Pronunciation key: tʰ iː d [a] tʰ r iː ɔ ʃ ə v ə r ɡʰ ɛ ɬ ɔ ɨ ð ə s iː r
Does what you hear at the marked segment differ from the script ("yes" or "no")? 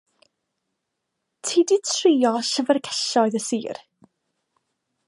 yes